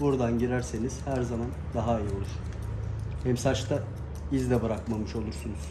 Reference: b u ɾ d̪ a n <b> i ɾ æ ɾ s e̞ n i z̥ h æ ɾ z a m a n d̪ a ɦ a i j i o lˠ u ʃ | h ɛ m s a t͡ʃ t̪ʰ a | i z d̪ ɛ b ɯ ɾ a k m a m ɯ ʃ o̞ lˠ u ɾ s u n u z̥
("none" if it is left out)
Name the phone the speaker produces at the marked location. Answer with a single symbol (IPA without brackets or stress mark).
ɟ